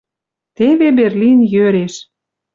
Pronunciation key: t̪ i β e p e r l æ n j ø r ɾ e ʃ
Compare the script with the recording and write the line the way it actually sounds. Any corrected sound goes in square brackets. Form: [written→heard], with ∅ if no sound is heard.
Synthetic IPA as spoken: t̪ [i→e] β e [p→b] e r l [æ→i] n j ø [r→∅] ɾ e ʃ